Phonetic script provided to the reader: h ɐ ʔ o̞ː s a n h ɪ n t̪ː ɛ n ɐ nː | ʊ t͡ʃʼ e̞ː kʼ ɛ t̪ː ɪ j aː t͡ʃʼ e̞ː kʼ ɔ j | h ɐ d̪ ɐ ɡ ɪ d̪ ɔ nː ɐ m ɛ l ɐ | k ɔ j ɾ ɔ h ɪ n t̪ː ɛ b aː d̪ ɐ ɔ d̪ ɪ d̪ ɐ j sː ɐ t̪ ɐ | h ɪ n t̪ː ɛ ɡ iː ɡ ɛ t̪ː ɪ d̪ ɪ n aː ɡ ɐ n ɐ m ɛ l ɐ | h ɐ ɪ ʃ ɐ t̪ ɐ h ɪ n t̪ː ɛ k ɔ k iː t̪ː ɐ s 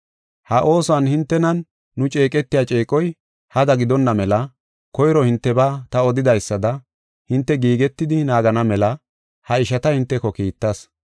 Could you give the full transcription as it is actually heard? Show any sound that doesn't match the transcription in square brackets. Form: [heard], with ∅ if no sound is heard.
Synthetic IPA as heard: h ɐ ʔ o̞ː s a n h ɪ n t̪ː ɛ n ɐ nː | ʊ t͡ʃʼ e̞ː kʼ ɛ t̪ː ɪ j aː t͡ʃʼ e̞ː kʼ ɔ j | h ɐ d̪ ɐ ɡ ɪ d̪ ɔ nː ɐ m ɛ l ɐ | k ɔ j ɾ ɔ h ɪ n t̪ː ɛ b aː [t̪] ɐ ɔ d̪ ɪ d̪ ɐ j sː ɐ [d̪] ɐ | h ɪ n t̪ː ɛ ɡ iː ɡ ɛ t̪ː ɪ d̪ ɪ n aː ɡ ɐ n ɐ m ɛ l ɐ | h ɐ ɪ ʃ ɐ t̪ ɐ h ɪ n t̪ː ɛ k ɔ k iː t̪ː ɐ s